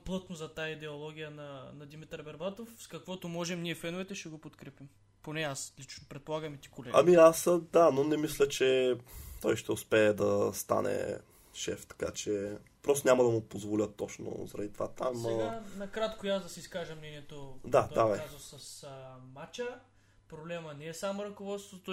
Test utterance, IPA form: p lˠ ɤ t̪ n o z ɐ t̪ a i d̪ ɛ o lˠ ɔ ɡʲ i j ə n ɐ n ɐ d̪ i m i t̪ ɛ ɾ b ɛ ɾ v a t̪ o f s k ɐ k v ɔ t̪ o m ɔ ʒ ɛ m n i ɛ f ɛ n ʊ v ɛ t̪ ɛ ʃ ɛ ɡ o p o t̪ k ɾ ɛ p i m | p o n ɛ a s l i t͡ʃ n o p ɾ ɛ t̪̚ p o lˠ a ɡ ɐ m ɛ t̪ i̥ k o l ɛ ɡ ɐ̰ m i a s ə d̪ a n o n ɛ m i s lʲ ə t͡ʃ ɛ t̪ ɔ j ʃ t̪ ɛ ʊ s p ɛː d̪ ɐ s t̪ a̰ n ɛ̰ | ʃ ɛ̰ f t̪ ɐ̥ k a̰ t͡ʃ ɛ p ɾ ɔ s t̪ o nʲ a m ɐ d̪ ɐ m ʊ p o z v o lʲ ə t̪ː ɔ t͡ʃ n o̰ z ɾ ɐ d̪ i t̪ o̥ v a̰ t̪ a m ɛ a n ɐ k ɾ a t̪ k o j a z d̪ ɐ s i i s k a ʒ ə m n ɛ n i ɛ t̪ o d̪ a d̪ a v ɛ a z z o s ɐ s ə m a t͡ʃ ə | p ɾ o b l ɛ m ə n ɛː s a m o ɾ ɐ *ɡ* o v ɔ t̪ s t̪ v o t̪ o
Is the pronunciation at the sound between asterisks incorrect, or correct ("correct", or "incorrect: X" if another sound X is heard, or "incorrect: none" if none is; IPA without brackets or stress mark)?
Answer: incorrect: k